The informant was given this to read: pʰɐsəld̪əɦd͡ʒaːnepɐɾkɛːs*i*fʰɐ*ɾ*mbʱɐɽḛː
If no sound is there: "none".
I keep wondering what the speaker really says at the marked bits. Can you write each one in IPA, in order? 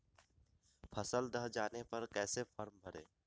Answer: e, ɾ

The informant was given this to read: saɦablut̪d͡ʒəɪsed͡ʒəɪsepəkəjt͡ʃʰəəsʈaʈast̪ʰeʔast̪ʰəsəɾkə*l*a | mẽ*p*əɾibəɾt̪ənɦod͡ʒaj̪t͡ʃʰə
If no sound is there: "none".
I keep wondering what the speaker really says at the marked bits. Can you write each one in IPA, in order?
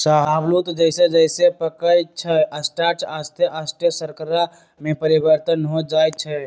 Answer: ɾ, p

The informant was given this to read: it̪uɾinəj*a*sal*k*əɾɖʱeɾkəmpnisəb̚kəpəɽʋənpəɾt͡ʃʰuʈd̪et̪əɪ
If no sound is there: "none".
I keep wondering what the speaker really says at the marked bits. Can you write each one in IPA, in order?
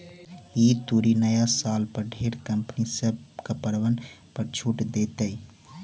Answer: a, p

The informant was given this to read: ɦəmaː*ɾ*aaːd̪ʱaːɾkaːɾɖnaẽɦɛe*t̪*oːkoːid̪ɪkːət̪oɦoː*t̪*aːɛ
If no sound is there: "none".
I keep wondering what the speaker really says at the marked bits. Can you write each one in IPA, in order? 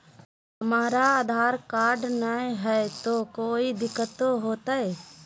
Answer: ɾ, t̪, t̪

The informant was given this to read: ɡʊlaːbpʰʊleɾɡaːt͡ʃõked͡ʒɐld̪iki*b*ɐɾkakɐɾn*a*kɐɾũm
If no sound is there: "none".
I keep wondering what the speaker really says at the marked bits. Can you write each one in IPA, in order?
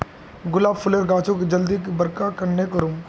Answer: b, e

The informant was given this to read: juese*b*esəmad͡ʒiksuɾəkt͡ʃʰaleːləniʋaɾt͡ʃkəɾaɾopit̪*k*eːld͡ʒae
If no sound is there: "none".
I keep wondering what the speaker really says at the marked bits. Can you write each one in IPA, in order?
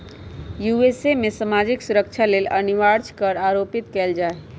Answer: m, k

